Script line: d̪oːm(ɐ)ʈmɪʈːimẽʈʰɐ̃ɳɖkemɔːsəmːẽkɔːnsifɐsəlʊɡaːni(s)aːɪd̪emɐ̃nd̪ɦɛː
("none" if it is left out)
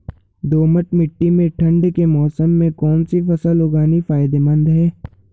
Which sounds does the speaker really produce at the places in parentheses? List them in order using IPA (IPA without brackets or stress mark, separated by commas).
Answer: ə, f